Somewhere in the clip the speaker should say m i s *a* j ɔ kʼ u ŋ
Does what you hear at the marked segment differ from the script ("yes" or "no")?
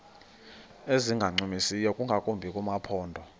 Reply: yes